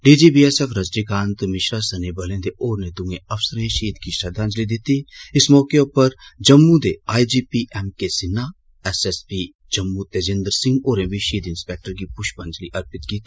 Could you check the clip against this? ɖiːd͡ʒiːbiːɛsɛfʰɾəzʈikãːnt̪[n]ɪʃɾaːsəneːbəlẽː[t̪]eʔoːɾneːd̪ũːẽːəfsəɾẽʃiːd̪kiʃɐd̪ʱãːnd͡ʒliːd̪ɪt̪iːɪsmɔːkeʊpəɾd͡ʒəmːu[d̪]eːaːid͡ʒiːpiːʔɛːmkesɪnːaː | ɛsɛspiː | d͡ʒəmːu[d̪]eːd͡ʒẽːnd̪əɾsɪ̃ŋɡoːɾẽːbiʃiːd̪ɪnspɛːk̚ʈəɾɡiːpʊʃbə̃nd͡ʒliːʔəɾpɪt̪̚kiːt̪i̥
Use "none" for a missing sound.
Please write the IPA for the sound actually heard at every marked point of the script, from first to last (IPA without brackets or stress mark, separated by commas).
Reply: m, d̪, d̪, t̪